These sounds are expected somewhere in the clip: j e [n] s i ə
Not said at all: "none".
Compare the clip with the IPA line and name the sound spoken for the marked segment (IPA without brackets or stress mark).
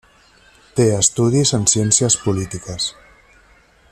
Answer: n